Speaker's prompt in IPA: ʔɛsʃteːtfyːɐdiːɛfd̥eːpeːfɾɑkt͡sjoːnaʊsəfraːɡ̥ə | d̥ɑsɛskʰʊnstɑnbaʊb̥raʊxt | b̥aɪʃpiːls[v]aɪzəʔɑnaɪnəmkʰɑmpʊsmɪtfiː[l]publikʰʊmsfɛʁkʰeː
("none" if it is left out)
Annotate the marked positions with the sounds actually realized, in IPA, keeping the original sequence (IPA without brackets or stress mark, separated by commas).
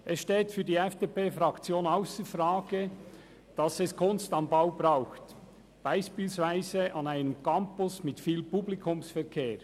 v, l